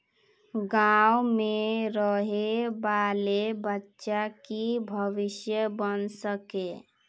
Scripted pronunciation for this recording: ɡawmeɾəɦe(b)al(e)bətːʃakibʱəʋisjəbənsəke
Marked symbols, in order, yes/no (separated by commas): yes, yes